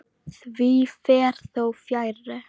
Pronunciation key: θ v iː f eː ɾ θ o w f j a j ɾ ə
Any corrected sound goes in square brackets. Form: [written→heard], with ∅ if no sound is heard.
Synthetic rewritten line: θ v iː f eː ɾ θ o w f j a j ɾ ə